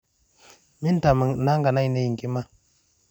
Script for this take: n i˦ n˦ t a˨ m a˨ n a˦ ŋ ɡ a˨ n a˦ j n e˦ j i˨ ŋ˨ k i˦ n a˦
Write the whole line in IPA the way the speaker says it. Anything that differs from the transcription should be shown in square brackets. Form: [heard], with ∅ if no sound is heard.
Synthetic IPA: [m] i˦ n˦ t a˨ m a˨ n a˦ ŋ ɡ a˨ n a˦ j n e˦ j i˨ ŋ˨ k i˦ [m] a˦